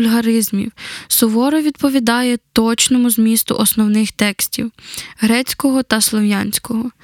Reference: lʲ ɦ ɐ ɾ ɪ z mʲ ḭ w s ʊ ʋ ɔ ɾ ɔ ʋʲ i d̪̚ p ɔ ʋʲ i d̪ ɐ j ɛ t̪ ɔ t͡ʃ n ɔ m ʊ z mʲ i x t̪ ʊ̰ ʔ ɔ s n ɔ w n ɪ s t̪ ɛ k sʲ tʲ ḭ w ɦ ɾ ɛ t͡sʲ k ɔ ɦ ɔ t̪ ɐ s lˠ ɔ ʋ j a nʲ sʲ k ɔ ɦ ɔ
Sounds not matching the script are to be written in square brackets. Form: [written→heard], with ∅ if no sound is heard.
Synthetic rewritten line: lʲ ɦ ɐ ɾ ɪ z mʲ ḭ w s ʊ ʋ ɔ ɾ ɔ ʋʲ i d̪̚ p ɔ ʋʲ i d̪ [ɐ→ɑ] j ɛ t̪ ɔ t͡ʃ n ɔ m ʊ z mʲ i [x→s] t̪ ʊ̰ ʔ ɔ s n ɔ w n ɪ [s→x] t̪ ɛ k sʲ tʲ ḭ w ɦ ɾ ɛ t͡sʲ k ɔ ɦ ɔ t̪ ɐ s lˠ ɔ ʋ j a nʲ sʲ k ɔ ɦ ɔ